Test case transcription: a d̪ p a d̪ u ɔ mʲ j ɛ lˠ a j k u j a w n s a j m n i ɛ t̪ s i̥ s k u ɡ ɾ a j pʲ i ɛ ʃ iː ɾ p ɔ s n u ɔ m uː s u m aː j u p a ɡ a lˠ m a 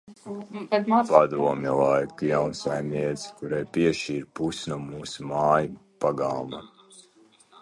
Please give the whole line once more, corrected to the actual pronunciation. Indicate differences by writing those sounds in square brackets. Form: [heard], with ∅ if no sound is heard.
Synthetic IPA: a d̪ p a d̪ u ɔ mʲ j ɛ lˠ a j k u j a w n s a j m n i ɛ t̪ s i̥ [∅] k u [∅] ɾ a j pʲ i ɛ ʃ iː ɾ p [u] s n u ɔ m uː s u m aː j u p a ɡ a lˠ m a